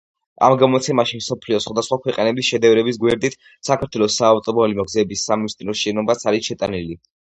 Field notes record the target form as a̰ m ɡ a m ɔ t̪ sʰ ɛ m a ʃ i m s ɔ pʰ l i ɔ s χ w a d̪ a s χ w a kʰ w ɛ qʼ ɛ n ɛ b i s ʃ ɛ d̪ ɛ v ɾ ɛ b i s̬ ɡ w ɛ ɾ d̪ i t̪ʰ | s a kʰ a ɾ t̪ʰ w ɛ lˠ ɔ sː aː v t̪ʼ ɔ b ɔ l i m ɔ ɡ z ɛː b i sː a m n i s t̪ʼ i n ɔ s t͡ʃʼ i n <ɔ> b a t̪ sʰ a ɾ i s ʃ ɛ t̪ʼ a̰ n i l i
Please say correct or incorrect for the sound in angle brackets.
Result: correct